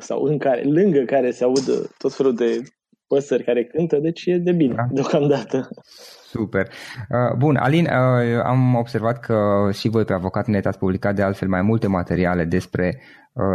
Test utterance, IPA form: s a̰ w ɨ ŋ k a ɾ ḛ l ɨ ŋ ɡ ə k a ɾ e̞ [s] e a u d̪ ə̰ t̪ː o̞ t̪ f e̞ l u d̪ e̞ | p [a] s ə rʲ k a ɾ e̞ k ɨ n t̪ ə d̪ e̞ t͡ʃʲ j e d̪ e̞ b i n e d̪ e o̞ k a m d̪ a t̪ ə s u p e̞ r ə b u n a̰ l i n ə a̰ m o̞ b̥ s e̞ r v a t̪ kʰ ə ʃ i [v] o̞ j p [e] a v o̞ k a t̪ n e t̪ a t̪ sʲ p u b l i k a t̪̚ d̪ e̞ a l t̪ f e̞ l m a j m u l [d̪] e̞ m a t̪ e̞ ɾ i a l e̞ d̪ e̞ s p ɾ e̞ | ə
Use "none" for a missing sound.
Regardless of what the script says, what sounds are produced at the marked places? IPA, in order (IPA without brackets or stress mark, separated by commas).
s, ə, v, e, t̪